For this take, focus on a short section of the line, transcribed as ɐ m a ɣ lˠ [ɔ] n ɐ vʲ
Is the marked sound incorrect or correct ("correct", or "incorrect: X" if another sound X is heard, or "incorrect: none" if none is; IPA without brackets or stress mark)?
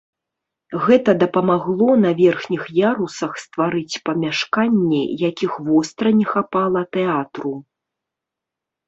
correct